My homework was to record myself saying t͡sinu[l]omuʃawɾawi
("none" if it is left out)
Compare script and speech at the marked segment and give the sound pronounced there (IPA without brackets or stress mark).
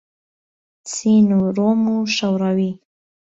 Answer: ɾ